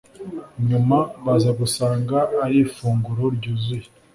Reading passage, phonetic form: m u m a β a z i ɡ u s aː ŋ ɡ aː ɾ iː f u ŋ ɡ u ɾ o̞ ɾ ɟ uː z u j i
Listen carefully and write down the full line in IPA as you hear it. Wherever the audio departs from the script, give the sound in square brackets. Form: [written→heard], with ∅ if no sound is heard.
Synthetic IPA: [m→ɲ] u m a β a z [i→a] ɡ u s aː ŋ ɡ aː ɾ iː f [u→uː] ŋ ɡ u ɾ o̞ ɾ ɟ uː z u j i